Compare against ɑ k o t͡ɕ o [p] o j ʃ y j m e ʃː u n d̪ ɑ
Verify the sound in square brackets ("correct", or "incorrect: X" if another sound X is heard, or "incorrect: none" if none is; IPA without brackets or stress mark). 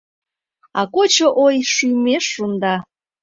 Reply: incorrect: ʔ